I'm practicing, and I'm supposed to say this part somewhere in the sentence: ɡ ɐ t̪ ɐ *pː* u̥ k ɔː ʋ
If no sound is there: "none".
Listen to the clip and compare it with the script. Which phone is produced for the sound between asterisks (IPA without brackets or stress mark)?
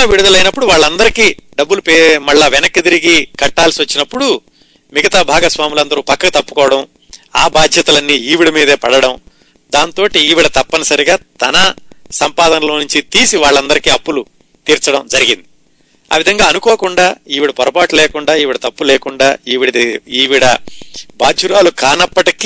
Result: pː